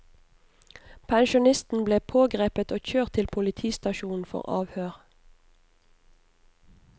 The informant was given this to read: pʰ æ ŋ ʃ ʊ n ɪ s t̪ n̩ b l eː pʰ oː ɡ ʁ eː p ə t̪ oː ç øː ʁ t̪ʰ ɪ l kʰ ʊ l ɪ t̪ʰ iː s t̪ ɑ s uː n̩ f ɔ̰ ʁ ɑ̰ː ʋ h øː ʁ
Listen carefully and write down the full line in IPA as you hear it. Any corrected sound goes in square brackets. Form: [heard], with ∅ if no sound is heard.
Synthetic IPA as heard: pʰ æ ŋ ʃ ʊ n ɪ s t̪ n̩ b l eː pʰ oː ɡ ʁ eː p ə t̪ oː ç øː ʁ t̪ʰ ɪ l [pʰ] ʊ l ɪ t̪ʰ iː s t̪ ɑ [ʃ] uː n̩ f ɔ̰ ʁ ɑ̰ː ʋ h øː ʁ